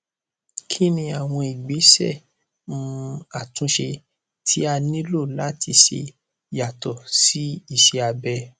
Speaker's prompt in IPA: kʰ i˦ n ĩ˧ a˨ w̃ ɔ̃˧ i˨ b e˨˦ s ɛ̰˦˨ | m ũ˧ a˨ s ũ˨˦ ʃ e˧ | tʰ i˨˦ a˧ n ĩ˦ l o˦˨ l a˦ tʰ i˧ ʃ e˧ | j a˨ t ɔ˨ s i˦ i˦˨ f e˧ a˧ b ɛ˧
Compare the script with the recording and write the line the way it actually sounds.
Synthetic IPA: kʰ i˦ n ĩ˧ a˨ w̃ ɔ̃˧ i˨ ɡ͡b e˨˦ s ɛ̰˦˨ | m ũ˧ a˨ t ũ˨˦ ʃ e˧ | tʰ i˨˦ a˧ n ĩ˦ l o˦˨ l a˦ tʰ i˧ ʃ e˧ | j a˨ t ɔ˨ s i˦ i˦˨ ʃ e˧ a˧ b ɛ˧